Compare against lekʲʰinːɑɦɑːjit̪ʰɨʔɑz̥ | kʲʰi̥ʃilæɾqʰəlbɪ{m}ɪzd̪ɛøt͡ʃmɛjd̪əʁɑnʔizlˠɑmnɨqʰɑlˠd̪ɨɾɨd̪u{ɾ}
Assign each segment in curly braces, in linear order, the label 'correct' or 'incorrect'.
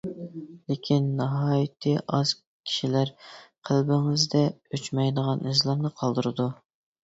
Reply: incorrect: ŋ, incorrect: none

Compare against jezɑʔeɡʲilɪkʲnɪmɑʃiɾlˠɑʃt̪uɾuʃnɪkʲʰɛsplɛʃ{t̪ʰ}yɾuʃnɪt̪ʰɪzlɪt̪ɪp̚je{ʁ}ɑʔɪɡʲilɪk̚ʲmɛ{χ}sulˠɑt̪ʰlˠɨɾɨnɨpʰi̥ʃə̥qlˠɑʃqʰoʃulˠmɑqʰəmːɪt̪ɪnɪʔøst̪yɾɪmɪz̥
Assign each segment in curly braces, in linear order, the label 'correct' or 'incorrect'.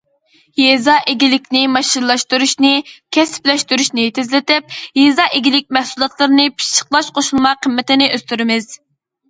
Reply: incorrect: t̪, incorrect: z, incorrect: h

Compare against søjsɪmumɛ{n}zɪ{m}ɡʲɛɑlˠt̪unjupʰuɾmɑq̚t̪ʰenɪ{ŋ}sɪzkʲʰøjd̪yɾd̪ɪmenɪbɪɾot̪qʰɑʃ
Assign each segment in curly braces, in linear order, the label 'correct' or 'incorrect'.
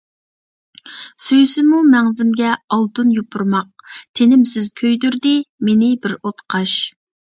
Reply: incorrect: ŋ, correct, incorrect: m

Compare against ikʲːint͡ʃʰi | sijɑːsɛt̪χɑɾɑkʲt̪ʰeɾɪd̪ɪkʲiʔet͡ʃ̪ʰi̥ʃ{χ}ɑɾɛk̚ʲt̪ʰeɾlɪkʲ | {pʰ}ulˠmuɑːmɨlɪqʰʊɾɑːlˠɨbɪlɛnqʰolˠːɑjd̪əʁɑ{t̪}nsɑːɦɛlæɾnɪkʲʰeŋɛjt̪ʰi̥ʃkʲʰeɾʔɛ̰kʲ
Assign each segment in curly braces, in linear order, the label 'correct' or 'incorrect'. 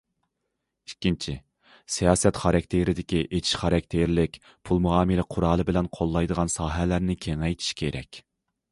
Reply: correct, correct, incorrect: none

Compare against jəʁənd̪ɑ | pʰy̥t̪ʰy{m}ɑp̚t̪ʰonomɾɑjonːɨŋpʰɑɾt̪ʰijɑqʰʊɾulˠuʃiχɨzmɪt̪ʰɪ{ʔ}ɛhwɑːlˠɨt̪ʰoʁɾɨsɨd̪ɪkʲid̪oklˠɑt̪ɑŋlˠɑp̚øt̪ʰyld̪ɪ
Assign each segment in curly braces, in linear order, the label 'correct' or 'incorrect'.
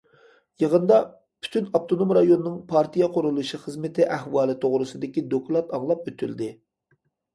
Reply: incorrect: n, correct

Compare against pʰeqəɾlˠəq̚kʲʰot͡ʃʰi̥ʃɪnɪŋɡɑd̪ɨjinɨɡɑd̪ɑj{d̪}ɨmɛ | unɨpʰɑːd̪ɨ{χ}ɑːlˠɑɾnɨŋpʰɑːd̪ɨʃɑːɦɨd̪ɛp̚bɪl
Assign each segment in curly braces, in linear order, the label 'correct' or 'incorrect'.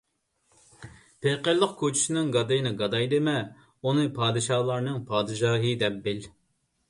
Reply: correct, incorrect: ʃ

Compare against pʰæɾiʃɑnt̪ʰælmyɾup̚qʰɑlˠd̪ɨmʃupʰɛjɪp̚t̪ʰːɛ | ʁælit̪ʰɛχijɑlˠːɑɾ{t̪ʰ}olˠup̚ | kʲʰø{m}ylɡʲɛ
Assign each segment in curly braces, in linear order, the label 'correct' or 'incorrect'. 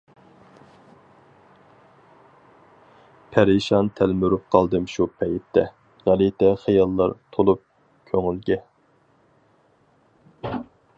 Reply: correct, incorrect: ŋ

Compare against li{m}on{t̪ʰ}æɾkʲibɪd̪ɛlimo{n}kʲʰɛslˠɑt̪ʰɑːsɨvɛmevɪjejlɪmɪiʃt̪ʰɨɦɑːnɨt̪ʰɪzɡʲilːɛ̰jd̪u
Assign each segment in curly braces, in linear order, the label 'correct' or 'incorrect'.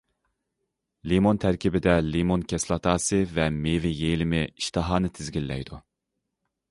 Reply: correct, correct, correct

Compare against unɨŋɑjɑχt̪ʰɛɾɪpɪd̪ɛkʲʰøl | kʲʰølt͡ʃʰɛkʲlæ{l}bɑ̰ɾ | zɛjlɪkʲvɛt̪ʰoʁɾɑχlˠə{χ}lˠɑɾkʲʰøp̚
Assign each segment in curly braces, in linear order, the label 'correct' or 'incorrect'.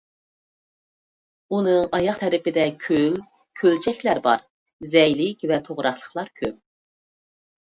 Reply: incorrect: ɾ, correct

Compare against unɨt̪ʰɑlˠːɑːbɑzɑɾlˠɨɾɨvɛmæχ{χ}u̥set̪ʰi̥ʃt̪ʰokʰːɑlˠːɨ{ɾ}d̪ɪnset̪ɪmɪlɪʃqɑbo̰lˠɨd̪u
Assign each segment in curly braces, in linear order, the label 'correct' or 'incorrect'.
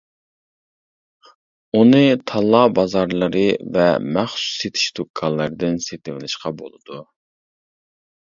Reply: incorrect: s, correct

